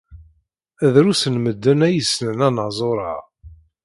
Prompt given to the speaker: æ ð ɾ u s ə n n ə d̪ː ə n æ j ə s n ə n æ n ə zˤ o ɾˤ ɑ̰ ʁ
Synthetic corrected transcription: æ ð ɾ u s ə n m ə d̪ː ə n æ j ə s n ə n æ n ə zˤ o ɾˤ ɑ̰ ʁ